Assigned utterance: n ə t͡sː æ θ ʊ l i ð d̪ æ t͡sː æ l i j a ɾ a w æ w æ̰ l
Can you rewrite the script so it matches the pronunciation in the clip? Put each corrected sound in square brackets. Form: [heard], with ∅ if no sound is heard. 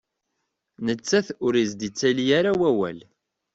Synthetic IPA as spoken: n ə t͡sː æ θ ʊ [ɾ] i [z] d̪ [i] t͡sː æ l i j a ɾ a w æ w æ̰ l